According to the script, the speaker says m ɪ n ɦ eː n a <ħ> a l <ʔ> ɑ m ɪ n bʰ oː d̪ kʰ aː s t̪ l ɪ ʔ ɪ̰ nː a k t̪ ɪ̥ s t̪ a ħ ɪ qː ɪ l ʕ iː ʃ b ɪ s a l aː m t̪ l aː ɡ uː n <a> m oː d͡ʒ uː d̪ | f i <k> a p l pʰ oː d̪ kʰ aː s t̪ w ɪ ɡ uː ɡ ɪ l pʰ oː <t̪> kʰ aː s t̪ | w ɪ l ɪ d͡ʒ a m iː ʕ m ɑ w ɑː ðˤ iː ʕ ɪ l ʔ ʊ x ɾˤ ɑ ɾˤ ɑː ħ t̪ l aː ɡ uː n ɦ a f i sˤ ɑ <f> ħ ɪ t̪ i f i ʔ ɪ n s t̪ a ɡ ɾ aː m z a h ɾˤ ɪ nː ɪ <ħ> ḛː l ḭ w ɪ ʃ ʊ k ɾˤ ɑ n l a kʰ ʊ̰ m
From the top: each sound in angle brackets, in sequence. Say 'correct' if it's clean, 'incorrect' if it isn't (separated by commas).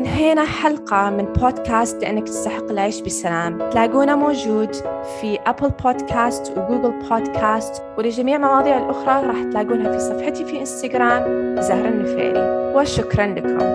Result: correct, incorrect, correct, incorrect, incorrect, correct, incorrect